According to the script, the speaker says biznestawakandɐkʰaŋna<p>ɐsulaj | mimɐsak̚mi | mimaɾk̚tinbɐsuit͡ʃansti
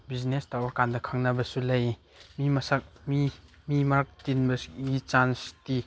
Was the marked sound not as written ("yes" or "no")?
yes